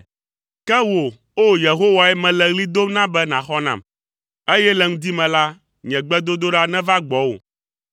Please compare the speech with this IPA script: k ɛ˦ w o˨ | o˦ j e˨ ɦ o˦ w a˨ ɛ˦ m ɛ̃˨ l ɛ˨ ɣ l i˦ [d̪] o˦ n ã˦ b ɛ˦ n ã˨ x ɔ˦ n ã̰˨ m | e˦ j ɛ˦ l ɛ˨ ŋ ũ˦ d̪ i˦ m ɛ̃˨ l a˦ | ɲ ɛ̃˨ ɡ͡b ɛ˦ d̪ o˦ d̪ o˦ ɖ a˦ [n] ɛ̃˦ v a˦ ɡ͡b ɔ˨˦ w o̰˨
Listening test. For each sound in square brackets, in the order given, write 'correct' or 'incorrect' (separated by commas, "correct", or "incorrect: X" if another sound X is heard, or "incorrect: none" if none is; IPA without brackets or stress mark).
correct, correct